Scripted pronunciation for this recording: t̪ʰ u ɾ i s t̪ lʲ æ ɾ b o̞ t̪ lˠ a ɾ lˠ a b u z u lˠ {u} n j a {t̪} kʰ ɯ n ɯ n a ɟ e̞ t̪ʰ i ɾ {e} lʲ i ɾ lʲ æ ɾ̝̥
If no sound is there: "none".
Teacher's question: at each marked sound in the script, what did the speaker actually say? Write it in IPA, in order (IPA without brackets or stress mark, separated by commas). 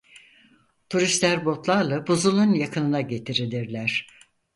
u, none, i